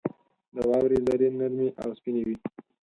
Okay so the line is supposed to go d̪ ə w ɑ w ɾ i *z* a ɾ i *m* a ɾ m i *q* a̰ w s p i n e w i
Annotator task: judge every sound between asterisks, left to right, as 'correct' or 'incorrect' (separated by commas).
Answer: correct, incorrect, incorrect